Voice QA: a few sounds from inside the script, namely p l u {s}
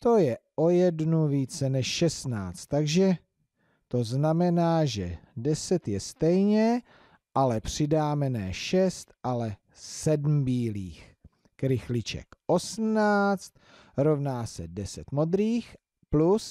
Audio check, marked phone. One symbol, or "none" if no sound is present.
s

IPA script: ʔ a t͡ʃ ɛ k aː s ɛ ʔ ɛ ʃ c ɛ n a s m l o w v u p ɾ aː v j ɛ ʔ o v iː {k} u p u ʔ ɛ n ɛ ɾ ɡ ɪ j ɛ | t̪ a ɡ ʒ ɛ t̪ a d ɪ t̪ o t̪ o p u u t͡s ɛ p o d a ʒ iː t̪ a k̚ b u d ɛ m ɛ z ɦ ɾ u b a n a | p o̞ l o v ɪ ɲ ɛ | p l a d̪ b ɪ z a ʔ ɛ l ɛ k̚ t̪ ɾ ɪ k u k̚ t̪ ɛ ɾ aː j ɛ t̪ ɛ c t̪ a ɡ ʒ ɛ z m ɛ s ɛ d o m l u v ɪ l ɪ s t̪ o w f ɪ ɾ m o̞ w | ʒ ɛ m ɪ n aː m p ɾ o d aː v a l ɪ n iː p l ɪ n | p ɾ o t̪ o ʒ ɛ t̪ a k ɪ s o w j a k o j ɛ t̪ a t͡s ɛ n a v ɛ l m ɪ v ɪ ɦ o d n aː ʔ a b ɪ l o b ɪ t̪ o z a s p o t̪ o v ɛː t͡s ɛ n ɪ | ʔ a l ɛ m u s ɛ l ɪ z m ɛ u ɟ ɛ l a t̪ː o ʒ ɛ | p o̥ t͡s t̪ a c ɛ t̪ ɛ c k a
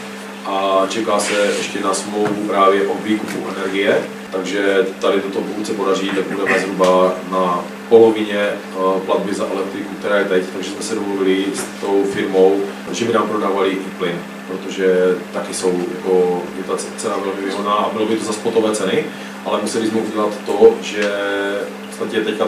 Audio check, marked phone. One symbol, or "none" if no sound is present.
k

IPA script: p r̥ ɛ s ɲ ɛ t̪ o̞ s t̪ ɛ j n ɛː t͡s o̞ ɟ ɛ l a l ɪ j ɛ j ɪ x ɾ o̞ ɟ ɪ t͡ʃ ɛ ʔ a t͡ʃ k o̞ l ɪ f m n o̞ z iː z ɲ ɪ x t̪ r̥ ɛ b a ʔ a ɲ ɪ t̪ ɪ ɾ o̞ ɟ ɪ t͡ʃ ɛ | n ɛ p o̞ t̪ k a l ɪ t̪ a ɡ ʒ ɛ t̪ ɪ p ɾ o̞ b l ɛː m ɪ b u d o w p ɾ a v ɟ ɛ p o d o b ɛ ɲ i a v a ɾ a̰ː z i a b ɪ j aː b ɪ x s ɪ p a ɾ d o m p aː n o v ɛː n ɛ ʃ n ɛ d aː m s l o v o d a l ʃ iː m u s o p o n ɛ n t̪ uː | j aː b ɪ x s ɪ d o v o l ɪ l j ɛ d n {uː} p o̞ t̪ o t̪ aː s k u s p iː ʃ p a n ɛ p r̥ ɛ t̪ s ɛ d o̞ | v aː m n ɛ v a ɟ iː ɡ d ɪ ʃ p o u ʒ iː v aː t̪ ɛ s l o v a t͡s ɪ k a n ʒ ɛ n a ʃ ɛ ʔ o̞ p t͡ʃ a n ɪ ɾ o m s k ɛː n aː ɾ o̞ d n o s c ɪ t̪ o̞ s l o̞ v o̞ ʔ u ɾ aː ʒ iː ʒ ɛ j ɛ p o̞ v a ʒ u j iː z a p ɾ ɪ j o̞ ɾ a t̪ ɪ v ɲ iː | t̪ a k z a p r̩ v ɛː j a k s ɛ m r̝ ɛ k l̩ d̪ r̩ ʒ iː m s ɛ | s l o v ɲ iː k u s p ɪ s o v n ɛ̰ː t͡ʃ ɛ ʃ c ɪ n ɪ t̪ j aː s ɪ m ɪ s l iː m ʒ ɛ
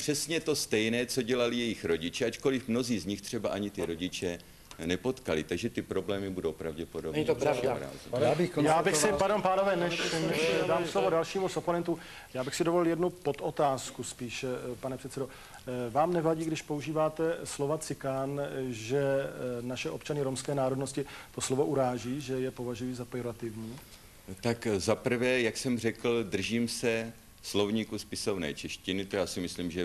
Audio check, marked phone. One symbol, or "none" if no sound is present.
u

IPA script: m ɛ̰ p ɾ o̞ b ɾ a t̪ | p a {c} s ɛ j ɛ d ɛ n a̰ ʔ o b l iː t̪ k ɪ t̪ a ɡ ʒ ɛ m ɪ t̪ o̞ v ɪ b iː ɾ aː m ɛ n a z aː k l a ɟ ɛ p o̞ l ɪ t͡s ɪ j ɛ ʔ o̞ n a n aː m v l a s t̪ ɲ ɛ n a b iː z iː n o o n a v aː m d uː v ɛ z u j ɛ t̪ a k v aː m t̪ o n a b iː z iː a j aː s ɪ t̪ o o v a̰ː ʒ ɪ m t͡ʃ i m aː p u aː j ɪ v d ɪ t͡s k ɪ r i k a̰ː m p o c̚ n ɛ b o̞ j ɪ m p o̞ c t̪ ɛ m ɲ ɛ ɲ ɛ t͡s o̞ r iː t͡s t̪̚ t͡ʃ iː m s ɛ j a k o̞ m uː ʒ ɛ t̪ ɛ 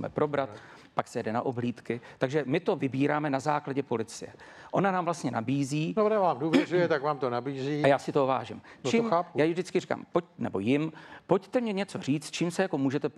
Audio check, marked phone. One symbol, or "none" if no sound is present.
k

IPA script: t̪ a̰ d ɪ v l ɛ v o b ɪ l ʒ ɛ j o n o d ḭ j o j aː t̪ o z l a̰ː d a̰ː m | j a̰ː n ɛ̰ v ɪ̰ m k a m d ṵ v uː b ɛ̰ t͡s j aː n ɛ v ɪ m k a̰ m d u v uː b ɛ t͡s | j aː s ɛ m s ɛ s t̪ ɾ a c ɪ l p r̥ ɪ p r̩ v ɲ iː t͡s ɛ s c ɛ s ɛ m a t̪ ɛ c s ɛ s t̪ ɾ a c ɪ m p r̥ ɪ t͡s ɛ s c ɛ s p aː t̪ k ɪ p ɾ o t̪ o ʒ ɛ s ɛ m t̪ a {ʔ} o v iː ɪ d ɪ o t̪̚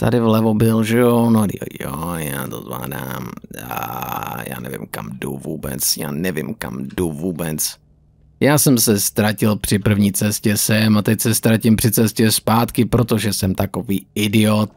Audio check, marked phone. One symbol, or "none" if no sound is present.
k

